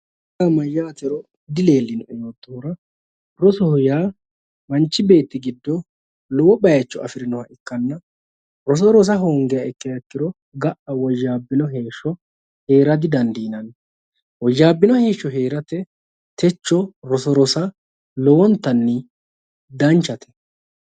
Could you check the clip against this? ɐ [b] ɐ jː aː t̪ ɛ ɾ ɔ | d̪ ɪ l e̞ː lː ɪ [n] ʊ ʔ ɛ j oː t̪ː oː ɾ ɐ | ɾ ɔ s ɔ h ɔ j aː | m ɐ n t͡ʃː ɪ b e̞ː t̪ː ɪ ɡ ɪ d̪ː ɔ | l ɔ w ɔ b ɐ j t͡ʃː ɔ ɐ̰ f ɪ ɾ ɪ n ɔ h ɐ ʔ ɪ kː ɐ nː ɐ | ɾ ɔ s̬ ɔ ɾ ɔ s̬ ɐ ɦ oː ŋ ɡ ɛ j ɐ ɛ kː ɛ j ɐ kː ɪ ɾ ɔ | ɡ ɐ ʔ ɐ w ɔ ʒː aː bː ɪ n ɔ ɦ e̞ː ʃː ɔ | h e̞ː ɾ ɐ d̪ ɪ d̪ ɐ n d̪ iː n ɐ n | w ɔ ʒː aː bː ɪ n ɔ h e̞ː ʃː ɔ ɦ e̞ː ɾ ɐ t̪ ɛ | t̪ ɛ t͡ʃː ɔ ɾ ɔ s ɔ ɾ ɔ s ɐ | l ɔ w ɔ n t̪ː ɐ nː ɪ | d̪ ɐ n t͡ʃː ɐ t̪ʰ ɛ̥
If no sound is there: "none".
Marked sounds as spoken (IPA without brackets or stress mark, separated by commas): m, n